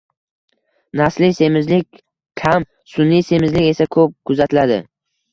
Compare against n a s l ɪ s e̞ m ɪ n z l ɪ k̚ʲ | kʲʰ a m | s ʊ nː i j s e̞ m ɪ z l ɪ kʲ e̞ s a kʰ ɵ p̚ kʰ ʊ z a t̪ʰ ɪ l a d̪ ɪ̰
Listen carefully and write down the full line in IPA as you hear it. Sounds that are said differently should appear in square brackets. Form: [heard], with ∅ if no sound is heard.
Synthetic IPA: n a s l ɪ s e̞ m ɪ [∅] z l ɪ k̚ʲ | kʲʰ a m | s ʊ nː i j s e̞ m ɪ z l ɪ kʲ e̞ s a kʰ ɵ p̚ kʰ ʊ z a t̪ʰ ɪ l a d̪ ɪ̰